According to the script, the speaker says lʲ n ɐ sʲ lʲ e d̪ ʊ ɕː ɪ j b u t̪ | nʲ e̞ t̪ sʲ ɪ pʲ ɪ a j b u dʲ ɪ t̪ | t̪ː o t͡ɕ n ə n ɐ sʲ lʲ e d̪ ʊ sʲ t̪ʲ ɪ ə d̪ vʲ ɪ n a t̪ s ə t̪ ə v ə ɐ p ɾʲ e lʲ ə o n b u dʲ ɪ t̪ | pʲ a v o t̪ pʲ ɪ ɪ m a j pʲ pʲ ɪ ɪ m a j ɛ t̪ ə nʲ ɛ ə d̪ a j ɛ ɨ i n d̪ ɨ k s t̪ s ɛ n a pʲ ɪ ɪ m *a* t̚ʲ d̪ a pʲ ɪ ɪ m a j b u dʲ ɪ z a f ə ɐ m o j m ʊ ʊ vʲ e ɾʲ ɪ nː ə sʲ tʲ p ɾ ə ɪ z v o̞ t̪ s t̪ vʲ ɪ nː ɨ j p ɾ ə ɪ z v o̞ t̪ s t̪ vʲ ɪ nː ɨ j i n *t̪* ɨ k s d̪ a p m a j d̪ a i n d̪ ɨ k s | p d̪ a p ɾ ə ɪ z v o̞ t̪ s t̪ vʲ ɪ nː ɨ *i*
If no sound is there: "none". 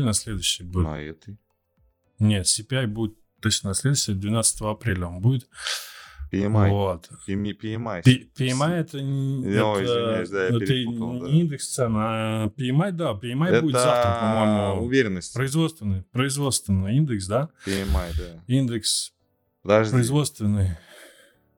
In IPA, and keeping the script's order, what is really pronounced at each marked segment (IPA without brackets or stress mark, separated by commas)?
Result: a, d̪, j